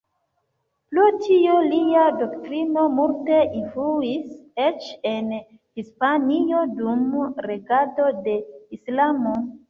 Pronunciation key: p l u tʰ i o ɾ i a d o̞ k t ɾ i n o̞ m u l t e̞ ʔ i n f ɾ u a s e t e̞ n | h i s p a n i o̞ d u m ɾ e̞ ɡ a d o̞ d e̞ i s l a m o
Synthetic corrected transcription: p l u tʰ i o l i a d o̞ k t ɾ i n o̞ m u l t e̞ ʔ i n f l u i s e t͡ʃ e̞ n | h i s p a n i o̞ d u m ɾ e̞ ɡ a d o̞ d e̞ i s l a m o